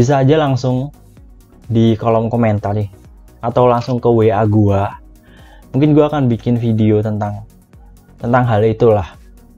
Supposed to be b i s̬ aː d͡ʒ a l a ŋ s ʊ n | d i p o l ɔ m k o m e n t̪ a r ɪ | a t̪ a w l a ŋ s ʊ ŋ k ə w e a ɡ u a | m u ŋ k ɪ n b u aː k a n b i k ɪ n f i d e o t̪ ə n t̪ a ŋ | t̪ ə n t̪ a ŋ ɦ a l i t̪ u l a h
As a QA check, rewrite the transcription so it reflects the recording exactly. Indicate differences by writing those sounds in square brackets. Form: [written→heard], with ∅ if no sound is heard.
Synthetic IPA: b i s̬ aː d͡ʒ a l a ŋ s ʊ [n→ŋ] | d i [p→k] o l ɔ m k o m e n t̪ a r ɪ | a t̪ a w l a ŋ s ʊ ŋ k ə w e a ɡ u a | m u ŋ k ɪ n [b→ɡ] u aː k a n b i k ɪ n f i d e o t̪ ə n t̪ a ŋ | t̪ ə n t̪ a ŋ ɦ a l i t̪ u l a h

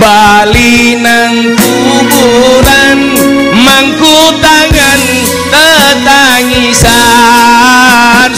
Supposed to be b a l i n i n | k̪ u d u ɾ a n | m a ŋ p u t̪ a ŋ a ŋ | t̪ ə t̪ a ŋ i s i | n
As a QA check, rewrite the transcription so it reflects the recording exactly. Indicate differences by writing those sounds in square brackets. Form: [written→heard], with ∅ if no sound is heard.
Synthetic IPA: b a l i n [i→a] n | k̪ u [d→b] u ɾ a n | m a ŋ [p→k] u t̪ a ŋ a [ŋ→n] | t̪ ə t̪ a ŋ i s [i→a] | n

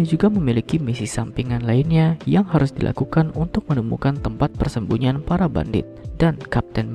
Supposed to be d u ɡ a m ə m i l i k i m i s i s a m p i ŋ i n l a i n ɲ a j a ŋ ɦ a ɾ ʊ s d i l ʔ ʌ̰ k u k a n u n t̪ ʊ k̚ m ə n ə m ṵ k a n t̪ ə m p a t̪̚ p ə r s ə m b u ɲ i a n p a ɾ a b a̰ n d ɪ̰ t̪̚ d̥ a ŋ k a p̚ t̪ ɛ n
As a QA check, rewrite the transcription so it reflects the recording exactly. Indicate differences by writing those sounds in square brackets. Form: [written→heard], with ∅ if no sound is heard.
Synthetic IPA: [d→d͡ʒ] u ɡ a m ə m i l i k i m i s i s a m p i ŋ [i→a] n l a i n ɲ a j a ŋ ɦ a ɾ ʊ s d i l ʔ [ʌ̰→a̰] k u k a n u n t̪ ʊ k̚ m ə n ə m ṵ k a n t̪ ə m p a t̪̚ p ə r s ə m b u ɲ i a n p a ɾ a b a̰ n d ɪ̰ t̪̚ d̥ a [ŋ→n] k a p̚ t̪ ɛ n

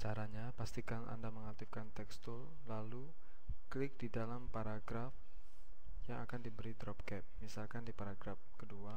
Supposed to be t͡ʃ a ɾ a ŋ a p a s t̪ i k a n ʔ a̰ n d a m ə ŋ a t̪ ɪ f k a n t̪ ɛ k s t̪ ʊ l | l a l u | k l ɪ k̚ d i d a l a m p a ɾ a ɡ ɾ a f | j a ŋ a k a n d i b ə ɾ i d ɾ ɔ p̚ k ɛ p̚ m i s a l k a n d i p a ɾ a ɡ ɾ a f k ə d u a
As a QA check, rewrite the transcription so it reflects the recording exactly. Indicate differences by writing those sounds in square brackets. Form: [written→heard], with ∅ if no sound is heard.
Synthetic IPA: t͡ʃ a ɾ a [ŋ→ɲ] a p a s t̪ i k a n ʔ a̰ n d a m ə ŋ a t̪ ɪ f k a n t̪ ɛ k s t̪ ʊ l | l a l u | k l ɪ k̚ d i d a l a m p a ɾ a ɡ ɾ a f | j a ŋ a k a n d i b ə ɾ i d ɾ ɔ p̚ k ɛ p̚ m i s a l k a n d i p a ɾ a ɡ ɾ a f k ə d u a

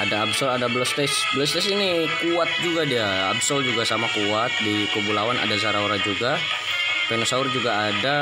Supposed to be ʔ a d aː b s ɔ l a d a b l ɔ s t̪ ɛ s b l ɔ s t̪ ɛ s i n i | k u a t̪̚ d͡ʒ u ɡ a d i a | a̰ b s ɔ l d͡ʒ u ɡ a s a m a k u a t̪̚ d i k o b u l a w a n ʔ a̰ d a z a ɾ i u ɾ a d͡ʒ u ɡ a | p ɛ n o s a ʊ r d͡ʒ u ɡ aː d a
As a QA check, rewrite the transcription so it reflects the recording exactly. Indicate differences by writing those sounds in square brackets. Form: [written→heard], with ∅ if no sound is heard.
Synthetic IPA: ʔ a d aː b s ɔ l a d a b l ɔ s t̪ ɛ s b l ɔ s t̪ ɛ s i n i | k u a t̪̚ d͡ʒ u ɡ a d i a | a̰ b s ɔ l d͡ʒ u ɡ a s a m a k u a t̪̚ d i k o b u l a w a n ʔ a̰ d a z a ɾ [i→a] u ɾ a d͡ʒ u ɡ a | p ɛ n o s a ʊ r d͡ʒ u ɡ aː d a

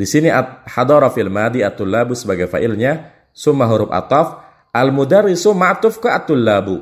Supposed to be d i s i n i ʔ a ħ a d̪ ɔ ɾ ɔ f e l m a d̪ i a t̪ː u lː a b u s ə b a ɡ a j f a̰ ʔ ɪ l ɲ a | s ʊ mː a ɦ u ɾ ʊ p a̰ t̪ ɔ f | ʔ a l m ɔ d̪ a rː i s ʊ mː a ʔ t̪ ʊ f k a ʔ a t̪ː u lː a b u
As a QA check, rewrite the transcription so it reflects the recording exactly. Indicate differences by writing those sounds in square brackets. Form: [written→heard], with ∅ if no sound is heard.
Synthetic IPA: d i s i n i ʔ a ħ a d̪ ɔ ɾ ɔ f [e→i] l m a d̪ i a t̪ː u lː a b u s ə b a ɡ a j f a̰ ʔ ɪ l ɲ a | s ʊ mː a ɦ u ɾ ʊ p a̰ t̪ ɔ f | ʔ a l m [ɔ→u] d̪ a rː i s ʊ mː a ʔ t̪ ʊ f k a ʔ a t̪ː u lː a b u

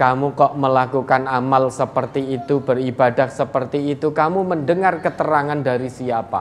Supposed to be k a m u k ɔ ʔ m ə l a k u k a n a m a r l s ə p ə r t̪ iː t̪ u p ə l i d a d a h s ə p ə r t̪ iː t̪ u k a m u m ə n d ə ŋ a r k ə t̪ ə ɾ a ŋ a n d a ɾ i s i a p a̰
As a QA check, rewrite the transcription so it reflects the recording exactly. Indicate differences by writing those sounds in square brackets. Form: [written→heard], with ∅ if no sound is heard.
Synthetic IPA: k a m u k ɔ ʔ m ə l a k u k a n a m a [r→∅] l s ə p ə r t̪ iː t̪ u [p→b] ə [l→r] i [d→b] a d a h s ə p ə r t̪ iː t̪ u k a m u m ə n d ə ŋ a r k ə t̪ ə ɾ a ŋ a n d a ɾ i s i a p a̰

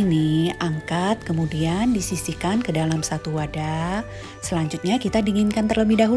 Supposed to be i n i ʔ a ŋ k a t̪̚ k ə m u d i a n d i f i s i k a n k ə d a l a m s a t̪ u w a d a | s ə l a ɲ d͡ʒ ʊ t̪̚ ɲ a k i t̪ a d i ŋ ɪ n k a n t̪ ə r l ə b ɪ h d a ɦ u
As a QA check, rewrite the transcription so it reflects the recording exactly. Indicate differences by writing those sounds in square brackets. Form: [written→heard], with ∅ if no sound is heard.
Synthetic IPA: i n i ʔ a ŋ k a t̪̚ k ə m u d i a n d i [f→s] i s i k a n k ə d a l a m s a t̪ u w a d a | s ə l a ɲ d͡ʒ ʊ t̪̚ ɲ a k i t̪ a d i ŋ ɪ n k a n t̪ ə r l ə b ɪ h d a ɦ u

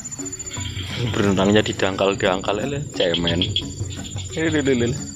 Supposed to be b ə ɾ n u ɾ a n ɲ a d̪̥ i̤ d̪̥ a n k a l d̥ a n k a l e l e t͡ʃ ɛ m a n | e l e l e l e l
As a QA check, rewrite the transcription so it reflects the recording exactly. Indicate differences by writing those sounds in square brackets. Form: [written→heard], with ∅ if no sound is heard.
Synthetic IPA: b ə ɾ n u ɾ a [n→ŋ] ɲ a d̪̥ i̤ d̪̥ a [n→ŋ] k a l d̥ a [n→ŋ] k a l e l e t͡ʃ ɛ m [a→ɛ] n | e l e l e l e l

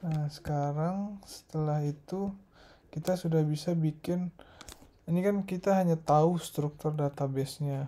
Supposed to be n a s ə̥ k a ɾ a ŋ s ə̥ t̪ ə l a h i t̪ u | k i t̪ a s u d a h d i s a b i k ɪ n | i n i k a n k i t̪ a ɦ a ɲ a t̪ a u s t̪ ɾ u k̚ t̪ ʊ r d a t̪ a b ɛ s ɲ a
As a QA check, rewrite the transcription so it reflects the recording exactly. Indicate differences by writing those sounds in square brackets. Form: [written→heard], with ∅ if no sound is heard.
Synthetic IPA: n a s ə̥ k a ɾ a ŋ s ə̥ t̪ ə l a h i t̪ u | k i t̪ a s u d a h [d→b] i s a b i k ɪ n | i n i k a n k i t̪ a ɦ a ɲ a t̪ a u s t̪ ɾ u k̚ t̪ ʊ r d a t̪ a b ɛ s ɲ a

